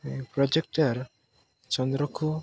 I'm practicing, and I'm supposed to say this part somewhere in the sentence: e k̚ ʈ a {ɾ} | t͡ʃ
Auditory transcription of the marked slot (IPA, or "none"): ɾ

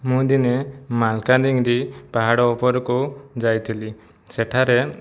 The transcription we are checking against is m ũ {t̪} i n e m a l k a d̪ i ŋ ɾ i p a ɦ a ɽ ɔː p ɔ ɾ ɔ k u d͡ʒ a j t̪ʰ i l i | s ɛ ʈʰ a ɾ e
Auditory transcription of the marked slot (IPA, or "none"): d̪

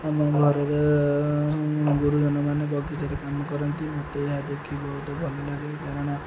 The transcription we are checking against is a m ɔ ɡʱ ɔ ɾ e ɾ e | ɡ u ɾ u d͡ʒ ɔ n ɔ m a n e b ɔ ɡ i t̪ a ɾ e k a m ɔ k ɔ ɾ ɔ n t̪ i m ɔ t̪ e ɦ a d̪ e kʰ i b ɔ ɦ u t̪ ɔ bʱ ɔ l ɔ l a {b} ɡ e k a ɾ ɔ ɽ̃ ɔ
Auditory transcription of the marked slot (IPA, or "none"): none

